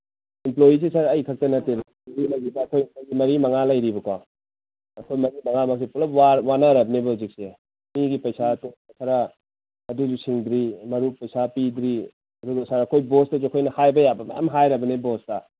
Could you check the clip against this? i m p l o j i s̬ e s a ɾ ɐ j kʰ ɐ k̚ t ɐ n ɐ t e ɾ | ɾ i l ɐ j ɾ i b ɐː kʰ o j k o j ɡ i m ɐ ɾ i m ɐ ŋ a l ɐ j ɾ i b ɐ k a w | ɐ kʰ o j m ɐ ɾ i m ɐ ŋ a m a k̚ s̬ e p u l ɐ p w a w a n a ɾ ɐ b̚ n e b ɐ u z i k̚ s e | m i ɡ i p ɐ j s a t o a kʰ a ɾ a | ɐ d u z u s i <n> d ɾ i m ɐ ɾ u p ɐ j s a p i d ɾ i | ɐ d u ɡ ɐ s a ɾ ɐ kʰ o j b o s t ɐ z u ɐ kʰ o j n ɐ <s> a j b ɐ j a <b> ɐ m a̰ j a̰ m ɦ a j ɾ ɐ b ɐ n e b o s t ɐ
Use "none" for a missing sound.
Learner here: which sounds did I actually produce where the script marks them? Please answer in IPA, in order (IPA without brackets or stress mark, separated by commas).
ŋ, h, b